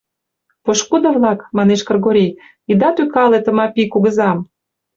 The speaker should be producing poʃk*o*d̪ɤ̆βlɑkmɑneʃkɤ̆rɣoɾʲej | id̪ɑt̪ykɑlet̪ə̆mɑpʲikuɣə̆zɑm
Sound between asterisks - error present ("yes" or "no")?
yes